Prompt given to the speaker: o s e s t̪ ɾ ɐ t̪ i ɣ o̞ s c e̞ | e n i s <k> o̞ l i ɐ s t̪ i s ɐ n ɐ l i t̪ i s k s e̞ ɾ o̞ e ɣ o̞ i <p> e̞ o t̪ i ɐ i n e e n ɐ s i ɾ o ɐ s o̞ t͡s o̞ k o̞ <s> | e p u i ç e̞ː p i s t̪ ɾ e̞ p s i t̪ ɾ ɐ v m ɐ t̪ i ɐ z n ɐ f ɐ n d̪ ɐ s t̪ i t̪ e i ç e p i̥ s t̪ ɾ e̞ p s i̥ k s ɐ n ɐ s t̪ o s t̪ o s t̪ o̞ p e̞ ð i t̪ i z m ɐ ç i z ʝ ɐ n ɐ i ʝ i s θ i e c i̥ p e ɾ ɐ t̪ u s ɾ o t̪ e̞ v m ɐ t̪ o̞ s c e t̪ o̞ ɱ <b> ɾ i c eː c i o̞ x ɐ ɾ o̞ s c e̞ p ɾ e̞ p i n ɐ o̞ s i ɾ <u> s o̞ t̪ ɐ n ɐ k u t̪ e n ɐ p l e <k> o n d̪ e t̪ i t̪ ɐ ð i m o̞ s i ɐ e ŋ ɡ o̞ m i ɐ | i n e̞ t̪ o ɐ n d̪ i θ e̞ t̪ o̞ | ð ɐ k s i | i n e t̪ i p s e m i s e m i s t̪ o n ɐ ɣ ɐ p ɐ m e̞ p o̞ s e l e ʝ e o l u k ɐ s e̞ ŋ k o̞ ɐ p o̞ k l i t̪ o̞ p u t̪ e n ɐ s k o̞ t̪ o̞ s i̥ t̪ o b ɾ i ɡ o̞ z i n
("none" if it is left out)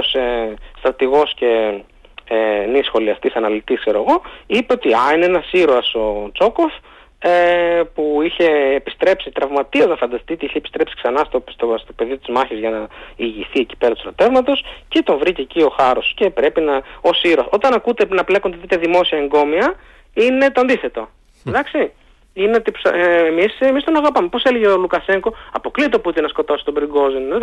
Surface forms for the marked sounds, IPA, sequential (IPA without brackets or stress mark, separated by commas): x, p, f, v, o, k